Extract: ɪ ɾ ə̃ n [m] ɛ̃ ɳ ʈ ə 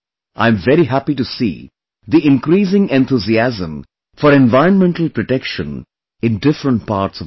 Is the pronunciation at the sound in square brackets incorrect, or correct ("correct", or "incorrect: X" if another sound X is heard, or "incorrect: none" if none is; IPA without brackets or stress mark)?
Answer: correct